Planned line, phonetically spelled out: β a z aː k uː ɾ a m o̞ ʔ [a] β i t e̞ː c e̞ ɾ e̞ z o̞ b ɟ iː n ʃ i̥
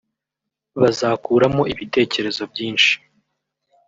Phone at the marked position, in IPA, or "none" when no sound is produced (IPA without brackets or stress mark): i